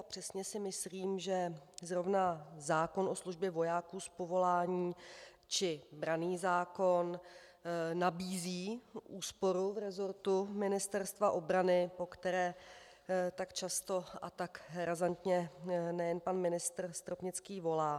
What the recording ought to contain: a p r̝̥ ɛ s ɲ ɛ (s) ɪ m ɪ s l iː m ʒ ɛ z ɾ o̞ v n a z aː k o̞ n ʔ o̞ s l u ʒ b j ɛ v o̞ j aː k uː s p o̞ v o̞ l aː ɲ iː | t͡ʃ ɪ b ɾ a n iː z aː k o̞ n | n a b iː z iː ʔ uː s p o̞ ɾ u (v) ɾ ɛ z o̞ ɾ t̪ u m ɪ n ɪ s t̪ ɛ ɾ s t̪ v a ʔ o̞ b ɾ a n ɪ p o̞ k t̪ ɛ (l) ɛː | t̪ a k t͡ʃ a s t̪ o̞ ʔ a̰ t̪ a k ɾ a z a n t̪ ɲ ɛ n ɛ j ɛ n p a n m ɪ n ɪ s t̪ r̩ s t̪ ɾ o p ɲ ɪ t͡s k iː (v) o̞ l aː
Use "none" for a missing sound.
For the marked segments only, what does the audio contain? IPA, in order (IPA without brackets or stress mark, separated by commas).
s, v, ɾ, v